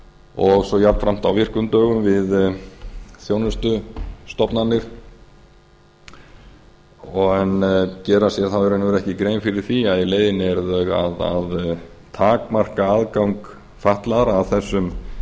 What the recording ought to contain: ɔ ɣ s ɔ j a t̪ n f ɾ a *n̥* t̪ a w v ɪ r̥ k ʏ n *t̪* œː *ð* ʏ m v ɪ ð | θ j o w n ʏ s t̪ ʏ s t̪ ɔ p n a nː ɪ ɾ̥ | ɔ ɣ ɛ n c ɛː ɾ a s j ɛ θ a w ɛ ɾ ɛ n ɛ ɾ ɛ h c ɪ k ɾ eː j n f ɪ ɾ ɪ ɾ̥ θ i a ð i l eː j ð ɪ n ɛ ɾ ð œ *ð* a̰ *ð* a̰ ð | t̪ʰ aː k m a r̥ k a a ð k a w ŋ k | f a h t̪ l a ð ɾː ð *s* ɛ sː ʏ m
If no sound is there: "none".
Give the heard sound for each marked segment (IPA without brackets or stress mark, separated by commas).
m̥, t̪, ɣ, ɣ, ð, θ